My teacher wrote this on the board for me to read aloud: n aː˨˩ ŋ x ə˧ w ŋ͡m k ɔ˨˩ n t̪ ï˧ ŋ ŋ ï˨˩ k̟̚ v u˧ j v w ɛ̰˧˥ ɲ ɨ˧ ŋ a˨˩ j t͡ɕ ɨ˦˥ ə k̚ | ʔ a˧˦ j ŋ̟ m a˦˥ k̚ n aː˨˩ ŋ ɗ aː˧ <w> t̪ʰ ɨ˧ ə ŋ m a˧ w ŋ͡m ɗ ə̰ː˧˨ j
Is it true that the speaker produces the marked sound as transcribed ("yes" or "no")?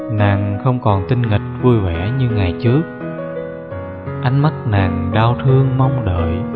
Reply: yes